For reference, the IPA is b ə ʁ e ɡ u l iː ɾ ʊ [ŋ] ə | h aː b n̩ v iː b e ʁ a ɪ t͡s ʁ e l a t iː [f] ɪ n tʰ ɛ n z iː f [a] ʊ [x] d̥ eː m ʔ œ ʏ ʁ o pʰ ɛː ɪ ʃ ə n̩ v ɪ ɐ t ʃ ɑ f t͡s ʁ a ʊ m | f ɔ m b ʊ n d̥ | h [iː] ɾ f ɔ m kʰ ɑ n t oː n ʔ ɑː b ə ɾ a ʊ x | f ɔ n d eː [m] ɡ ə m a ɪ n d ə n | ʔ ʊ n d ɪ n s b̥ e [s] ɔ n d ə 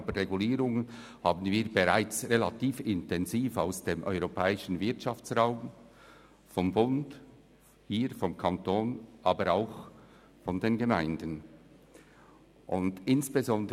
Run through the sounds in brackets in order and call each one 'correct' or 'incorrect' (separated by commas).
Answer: correct, correct, correct, incorrect, correct, incorrect, incorrect